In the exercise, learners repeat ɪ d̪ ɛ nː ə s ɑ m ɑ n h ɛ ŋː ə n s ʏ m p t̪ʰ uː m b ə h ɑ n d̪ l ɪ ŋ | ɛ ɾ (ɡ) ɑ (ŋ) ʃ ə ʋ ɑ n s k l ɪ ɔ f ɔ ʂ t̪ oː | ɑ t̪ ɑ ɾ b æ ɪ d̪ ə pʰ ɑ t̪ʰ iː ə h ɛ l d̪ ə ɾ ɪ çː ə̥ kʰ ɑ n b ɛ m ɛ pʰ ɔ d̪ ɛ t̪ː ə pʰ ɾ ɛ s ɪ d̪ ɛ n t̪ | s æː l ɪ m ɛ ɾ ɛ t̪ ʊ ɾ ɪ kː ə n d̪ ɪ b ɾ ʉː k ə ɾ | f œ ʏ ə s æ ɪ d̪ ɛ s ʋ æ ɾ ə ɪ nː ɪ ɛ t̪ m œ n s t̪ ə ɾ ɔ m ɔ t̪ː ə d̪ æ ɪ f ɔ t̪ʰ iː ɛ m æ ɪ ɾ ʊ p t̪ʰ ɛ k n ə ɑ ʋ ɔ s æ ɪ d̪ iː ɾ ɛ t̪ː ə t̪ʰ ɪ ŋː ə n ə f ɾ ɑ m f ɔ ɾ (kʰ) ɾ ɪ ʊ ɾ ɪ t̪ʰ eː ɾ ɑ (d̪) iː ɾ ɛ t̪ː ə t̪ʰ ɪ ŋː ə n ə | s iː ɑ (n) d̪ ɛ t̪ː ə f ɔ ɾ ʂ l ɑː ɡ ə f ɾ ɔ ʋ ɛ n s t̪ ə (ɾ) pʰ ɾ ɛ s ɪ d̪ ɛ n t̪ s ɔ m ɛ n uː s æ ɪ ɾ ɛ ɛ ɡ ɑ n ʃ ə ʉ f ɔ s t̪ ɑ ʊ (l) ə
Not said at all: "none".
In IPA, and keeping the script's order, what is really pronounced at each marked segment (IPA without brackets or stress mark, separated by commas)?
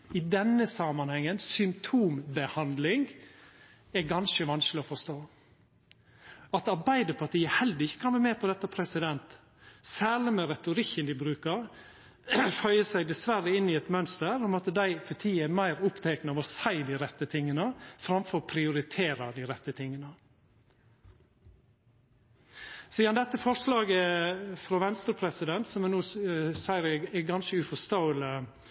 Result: ɡ, n, pʰ, d̪, n, ɾ, l